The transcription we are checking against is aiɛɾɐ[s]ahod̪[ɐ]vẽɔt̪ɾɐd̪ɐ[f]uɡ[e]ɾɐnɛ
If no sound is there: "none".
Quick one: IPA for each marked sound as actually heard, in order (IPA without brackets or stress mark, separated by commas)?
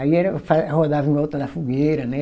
f, a, f, e